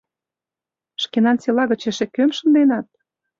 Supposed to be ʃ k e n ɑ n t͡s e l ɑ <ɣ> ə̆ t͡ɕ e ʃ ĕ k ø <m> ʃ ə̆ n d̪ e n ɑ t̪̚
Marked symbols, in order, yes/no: yes, yes

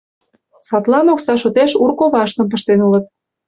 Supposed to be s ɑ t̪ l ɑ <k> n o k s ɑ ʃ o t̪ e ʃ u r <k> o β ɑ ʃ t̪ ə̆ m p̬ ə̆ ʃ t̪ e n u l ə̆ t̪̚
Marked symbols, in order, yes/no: no, yes

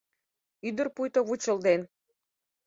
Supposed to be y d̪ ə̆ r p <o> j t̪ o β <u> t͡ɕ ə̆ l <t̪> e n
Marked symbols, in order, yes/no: no, yes, no

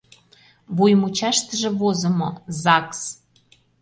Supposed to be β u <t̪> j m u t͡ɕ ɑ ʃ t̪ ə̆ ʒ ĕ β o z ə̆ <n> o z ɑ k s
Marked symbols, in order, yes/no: no, no

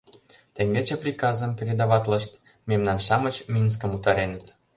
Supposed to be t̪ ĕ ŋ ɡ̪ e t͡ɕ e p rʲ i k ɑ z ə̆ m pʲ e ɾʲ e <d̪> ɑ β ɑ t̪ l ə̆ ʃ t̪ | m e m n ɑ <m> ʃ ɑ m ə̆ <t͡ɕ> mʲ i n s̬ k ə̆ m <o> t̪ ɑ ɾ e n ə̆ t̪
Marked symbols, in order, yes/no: yes, no, yes, no

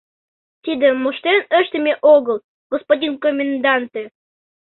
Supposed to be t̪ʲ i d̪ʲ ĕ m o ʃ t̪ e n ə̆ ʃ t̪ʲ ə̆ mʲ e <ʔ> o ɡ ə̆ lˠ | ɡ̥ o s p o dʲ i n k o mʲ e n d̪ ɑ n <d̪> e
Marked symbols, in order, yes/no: yes, no

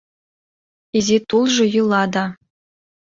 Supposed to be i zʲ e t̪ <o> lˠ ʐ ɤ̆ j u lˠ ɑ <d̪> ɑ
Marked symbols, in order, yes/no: no, yes

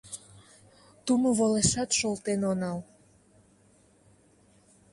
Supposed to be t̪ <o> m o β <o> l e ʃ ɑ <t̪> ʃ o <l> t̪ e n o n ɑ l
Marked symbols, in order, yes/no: no, yes, yes, yes

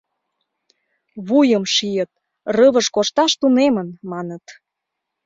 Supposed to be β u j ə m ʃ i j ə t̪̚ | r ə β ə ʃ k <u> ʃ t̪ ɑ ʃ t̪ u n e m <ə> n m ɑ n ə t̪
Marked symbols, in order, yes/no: no, yes

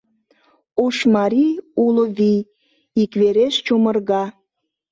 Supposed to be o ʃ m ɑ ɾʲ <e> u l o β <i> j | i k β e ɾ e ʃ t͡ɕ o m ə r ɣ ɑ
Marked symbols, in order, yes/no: no, yes

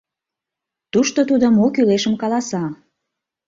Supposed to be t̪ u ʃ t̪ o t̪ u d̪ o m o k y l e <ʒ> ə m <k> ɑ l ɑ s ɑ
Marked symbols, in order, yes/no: no, yes

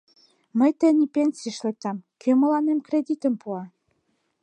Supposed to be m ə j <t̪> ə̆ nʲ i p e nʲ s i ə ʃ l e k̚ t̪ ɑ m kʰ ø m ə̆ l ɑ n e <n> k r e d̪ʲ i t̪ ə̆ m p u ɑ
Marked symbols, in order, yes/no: yes, no

